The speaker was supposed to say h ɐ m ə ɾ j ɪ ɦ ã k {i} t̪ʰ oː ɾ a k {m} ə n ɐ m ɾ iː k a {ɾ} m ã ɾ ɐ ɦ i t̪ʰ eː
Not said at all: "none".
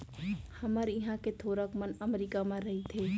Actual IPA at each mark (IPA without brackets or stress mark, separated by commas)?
e, m, none